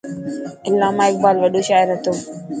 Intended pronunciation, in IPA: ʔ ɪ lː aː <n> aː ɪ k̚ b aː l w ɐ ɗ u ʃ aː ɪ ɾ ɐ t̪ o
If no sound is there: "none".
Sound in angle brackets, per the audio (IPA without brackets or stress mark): m